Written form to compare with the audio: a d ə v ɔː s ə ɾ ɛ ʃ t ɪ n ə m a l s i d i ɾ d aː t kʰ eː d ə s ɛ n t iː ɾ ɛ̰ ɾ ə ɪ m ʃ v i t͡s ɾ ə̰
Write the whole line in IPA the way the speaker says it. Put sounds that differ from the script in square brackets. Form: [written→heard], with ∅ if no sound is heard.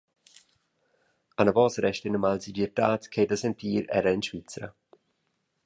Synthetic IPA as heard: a [d→n] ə v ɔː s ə ɾ ɛ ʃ t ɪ n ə m a l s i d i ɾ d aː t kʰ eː d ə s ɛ n t iː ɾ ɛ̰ ɾ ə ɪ [m→n] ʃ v i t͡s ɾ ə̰